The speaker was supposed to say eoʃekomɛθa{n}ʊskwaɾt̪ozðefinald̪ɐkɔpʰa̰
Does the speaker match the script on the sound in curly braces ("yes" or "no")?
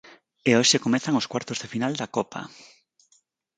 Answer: no